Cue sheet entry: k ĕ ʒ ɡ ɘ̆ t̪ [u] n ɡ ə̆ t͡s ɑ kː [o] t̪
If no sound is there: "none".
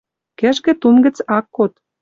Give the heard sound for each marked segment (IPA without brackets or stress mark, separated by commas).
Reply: u, o